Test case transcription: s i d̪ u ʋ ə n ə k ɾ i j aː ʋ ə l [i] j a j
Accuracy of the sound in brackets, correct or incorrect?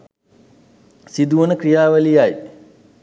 correct